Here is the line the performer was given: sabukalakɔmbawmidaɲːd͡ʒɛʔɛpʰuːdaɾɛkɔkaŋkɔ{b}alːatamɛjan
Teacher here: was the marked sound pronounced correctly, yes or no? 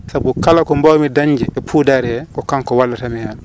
no